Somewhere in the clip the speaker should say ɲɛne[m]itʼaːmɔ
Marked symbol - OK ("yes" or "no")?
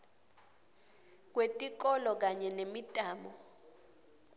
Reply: yes